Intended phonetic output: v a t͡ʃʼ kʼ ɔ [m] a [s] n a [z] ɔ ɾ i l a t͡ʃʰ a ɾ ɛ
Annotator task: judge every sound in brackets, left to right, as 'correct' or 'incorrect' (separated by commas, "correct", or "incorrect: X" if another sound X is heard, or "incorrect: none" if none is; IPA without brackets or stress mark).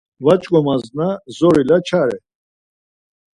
correct, incorrect: z, correct